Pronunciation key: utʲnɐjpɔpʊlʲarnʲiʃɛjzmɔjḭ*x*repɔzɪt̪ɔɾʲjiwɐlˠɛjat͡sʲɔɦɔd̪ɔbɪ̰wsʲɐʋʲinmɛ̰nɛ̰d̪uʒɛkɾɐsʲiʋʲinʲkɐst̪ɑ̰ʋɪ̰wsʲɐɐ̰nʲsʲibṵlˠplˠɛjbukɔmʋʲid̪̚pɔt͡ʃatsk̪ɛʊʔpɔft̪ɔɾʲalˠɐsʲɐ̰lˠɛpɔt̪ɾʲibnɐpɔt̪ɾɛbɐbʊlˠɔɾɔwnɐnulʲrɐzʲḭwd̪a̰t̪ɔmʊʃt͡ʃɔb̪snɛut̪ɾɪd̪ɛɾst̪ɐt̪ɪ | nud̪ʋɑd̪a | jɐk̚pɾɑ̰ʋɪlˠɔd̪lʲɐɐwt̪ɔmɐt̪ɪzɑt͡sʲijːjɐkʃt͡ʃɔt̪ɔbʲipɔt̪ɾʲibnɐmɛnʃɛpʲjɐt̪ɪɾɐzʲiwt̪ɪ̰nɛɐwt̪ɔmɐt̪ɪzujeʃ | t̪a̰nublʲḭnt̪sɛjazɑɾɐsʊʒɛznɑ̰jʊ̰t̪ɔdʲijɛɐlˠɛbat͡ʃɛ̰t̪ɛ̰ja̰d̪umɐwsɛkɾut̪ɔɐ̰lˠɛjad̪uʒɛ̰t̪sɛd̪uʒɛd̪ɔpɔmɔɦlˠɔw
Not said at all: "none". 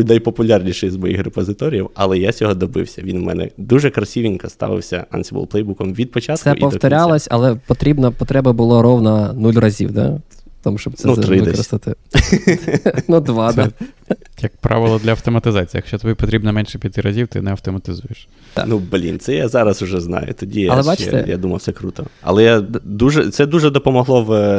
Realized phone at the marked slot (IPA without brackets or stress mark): x